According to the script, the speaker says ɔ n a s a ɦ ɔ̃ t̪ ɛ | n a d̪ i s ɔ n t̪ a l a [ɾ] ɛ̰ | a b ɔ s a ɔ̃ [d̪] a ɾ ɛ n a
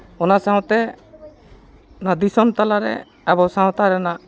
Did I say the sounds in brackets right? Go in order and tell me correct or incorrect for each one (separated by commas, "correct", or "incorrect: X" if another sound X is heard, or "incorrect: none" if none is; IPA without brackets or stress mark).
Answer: correct, incorrect: t̪